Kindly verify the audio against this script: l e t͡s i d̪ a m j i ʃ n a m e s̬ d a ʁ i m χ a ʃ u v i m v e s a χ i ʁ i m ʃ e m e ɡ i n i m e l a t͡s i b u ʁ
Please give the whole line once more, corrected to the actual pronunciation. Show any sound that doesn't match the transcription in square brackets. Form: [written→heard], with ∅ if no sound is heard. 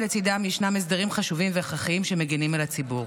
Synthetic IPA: l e t͡s i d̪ a m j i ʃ n a m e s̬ d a ʁ i m χ a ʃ u v i m v e [s→χ] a χ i [ʁ→∅] i m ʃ e m e ɡ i n i m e l a t͡s i b u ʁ